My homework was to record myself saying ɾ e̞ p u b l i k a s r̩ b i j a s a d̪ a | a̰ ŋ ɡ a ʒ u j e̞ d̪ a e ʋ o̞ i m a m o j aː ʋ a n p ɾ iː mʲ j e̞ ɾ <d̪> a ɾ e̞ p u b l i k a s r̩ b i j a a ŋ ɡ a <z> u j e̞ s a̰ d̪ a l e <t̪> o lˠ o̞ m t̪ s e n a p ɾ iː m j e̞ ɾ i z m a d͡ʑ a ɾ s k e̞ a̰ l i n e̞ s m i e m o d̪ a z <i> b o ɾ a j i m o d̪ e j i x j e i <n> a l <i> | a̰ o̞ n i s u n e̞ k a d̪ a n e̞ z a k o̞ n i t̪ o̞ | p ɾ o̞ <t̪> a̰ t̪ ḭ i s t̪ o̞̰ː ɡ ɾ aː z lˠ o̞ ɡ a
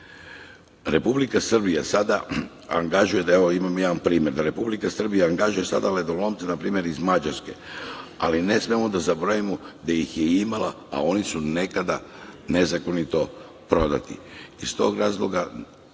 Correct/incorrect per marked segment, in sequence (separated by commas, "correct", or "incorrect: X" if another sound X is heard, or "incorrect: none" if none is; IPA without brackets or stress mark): correct, incorrect: ʒ, incorrect: d̪, incorrect: a, incorrect: m, incorrect: a, incorrect: d̪